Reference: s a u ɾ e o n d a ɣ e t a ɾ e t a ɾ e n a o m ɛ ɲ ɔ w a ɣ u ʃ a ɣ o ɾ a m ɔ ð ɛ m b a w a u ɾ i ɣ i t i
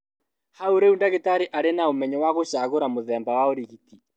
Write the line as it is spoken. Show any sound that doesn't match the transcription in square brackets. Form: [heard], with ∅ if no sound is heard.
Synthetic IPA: [h] a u ɾ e [u] n d a ɣ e t a ɾ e [ʔ] a ɾ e n a o m ɛ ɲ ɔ w a ɣ [o] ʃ a ɣ o ɾ a m [o] ð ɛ m b a w a [o] ɾ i ɣ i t i

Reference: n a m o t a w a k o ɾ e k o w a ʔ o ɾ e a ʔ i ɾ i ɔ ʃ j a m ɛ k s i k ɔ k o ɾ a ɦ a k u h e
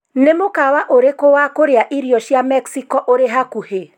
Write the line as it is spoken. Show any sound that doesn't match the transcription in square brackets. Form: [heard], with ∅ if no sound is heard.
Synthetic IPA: n [e] m o [k] a w a [ʔ] o ɾ e k o w a [k] o ɾ e a ʔ i ɾ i ɔ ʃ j a m ɛ k s i k ɔ [ʔ] o ɾ [e] ɦ a k u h e

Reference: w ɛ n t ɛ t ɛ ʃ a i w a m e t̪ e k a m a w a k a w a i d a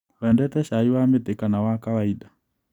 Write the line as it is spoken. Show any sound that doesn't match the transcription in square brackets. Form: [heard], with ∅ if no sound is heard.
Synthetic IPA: w ɛ n [d] ɛ t ɛ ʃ a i w a m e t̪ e k a [n] a w a k a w a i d a

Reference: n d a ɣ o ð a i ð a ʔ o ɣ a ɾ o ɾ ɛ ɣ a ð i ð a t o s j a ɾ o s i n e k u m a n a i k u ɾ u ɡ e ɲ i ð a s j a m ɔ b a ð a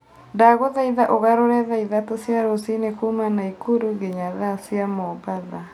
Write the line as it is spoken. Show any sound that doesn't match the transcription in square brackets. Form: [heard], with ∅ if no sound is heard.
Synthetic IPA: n d a ɣ o ð a i ð a ʔ o ɣ a ɾ o ɾ ɛ [ð] a [∅] i ð a t o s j a ɾ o s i n e k u m a n a i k u ɾ u ɡ e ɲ [a] ð a s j a m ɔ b a ð a

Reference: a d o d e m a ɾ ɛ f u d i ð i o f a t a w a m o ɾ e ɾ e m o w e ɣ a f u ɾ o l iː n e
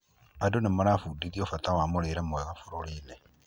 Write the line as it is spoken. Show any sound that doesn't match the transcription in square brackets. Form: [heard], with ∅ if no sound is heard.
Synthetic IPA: a d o [n] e m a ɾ [a] f u d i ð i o f a t a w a m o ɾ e ɾ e m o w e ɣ a f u ɾ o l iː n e

